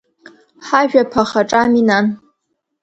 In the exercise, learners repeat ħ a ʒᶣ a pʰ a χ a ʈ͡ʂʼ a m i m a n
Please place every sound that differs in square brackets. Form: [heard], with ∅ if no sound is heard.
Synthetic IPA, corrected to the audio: ħ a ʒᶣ a pʰ a χ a ʈ͡ʂʼ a m i [n] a n